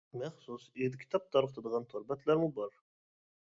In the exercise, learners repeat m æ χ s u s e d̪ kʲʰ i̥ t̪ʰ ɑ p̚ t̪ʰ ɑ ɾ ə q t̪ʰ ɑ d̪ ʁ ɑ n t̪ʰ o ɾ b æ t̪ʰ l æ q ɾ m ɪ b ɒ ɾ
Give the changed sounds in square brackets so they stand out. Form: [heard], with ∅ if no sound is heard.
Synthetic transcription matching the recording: m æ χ s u s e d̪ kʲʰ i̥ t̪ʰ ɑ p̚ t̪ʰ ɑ ɾ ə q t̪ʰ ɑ d̪ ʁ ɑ n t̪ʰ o ɾ b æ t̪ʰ l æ [∅] ɾ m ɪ b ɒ ɾ